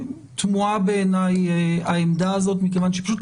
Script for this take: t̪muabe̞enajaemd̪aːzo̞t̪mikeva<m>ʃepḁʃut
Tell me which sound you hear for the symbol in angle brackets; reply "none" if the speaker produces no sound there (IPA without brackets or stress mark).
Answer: n